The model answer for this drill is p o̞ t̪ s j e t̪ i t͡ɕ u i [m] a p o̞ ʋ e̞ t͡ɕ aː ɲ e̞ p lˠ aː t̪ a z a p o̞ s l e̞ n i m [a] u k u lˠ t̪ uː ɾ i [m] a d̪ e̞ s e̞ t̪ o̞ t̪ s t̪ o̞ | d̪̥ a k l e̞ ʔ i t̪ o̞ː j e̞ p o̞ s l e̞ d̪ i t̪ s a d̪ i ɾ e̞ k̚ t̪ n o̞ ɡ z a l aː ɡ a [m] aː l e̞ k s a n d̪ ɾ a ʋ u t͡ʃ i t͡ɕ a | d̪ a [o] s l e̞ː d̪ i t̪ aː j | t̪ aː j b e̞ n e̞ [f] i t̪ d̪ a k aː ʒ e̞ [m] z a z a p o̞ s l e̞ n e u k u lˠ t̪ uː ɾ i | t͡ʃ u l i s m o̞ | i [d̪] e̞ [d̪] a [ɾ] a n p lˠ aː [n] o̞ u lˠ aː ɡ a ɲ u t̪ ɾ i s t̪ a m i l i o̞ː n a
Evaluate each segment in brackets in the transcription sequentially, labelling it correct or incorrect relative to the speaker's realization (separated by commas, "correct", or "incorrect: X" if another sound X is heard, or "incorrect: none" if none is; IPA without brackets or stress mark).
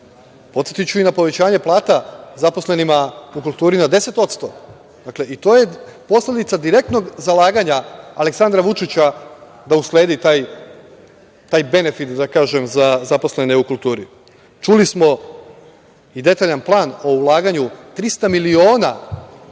incorrect: n, correct, incorrect: n, incorrect: ɲ, incorrect: u, correct, correct, correct, incorrect: t̪, incorrect: ʎ, correct